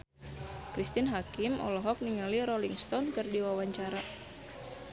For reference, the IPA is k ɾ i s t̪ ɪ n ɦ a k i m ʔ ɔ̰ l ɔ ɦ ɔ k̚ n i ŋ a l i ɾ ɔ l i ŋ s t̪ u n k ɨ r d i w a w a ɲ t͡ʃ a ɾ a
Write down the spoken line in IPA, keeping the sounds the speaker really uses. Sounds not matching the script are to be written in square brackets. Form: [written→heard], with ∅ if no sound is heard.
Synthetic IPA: k ɾ i s t̪ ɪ n ɦ a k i m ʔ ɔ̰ l ɔ ɦ ɔ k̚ n i ŋ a l i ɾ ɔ l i ŋ s t̪ [u→ɔ] n k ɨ r d i w a w a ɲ t͡ʃ a ɾ a